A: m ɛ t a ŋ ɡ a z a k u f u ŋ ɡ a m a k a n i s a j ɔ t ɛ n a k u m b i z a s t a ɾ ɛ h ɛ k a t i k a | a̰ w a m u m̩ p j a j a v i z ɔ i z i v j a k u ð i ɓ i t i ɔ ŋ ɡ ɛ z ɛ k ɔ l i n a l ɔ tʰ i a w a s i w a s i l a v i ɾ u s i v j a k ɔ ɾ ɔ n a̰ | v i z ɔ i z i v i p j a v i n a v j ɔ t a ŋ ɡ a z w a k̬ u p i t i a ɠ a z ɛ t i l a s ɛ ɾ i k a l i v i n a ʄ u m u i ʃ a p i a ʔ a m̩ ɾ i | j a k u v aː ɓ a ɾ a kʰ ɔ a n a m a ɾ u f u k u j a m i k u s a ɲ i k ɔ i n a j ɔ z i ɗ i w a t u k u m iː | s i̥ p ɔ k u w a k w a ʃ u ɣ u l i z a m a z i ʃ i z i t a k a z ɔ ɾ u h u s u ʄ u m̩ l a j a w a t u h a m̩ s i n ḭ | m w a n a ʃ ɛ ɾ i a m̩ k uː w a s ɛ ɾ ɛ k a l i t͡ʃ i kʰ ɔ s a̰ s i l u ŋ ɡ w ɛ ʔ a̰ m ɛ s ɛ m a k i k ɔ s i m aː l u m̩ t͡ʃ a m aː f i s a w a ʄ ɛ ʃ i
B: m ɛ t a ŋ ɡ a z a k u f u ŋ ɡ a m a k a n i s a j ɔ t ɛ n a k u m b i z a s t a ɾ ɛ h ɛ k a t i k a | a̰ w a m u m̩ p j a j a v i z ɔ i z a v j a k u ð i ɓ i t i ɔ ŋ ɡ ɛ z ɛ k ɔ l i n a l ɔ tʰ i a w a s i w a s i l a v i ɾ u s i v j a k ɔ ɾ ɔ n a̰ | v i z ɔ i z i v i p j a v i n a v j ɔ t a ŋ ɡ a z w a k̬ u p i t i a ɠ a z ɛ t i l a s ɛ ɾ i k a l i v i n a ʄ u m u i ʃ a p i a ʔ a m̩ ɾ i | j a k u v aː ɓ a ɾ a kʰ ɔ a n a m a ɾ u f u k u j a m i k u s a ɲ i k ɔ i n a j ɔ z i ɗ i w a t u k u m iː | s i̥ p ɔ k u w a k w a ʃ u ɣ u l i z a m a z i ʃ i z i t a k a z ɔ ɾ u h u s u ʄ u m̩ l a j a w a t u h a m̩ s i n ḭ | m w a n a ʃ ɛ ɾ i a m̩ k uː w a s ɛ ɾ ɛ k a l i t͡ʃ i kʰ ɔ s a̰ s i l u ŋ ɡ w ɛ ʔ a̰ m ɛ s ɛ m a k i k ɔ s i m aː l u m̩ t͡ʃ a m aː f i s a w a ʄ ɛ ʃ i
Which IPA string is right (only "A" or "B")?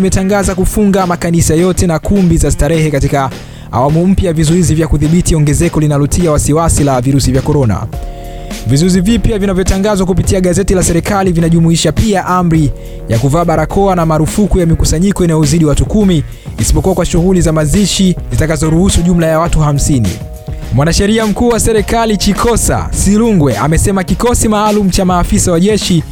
A